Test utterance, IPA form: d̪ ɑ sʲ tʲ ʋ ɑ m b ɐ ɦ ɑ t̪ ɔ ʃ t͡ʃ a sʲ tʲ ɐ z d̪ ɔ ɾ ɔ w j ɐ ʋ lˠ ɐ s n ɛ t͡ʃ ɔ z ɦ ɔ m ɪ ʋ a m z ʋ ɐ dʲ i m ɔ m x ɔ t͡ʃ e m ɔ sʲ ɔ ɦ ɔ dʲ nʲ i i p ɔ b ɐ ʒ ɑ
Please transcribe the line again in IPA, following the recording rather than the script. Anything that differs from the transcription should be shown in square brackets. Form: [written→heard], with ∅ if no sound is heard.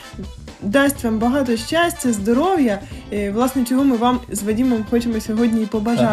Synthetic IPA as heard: d̪ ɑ sʲ tʲ ʋ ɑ m b ɐ ɦ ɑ t̪ ɔ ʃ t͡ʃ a sʲ tʲ ɐ z d̪ ɔ ɾ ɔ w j ɐ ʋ lˠ [ɐ→ɑ] s n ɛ t͡ʃ ɔ [z→∅] ɦ ɔ m ɪ ʋ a m z ʋ ɐ dʲ i m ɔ m x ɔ t͡ʃ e m ɔ sʲ ɔ ɦ ɔ dʲ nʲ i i p ɔ b ɐ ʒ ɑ